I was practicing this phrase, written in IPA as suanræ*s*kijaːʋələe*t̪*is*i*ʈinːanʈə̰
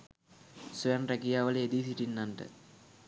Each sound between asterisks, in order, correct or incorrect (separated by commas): incorrect, incorrect, correct